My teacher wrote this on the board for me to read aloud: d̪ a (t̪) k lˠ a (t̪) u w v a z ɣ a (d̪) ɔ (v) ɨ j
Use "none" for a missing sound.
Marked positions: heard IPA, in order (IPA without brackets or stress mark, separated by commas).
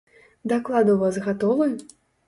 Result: none, d̪, t̪, v